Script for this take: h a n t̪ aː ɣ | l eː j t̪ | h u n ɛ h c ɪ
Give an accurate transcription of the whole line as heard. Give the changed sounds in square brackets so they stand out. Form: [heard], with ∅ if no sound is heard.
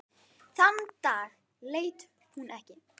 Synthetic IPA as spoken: [θ] a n t̪ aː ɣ | l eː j t̪ | h u n ɛ h c ɪ